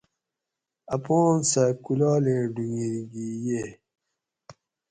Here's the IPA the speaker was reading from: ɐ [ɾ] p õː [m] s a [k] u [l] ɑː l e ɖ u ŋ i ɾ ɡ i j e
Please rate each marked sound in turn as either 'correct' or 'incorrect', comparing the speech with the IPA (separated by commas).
incorrect, incorrect, correct, correct